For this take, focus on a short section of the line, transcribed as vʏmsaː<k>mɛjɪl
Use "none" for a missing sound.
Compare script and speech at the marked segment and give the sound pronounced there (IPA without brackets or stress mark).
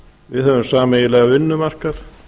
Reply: none